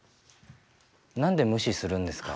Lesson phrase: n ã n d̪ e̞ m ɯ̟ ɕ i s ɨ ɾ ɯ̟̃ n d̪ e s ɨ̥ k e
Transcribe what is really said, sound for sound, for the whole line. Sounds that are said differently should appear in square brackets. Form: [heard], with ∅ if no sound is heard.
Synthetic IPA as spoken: n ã n d̪ e̞ m ɯ̟ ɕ i s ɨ ɾ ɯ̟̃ n d̪ e s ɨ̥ k [a]

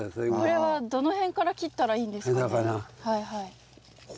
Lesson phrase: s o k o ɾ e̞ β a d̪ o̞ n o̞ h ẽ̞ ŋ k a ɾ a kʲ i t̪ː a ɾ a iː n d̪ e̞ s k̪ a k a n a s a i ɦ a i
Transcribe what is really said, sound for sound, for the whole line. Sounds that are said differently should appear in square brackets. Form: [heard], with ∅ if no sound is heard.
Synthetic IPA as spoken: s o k o ɾ e̞ β a d̪ o̞ n o̞ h ẽ̞ ŋ k a ɾ a kʲ i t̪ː a ɾ a iː n d̪ e̞ s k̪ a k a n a [h] a i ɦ a i

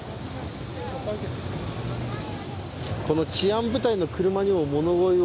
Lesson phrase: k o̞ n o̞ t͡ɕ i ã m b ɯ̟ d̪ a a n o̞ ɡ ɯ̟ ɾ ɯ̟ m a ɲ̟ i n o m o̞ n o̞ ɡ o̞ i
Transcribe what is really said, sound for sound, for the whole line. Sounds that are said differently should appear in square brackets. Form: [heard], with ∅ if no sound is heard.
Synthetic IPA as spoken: k o̞ n o̞ t͡ɕ i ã m b ɯ̟ [t̪] a [i] n o̞ [k] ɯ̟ ɾ ɯ̟ m a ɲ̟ i [m] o m o̞ n o̞ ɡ o̞ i

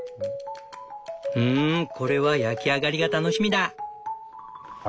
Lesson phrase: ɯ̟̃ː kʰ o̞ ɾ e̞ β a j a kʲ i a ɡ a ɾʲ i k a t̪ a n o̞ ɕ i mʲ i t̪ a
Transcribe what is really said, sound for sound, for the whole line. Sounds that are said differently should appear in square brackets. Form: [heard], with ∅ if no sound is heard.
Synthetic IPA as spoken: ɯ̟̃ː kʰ o̞ ɾ e̞ β a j a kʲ i a ɡ a ɾʲ i [ɡ] a t̪ a n o̞ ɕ i mʲ i [d̪] a

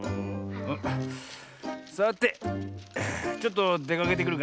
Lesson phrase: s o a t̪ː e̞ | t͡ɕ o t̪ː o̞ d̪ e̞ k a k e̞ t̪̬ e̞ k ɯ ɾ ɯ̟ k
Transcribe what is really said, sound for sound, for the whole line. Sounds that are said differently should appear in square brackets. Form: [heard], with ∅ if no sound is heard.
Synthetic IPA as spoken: s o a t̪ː e̞ | t͡ɕ o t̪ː o̞ d̪ e̞ k a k e̞ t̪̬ e̞ k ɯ ɾ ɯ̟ k

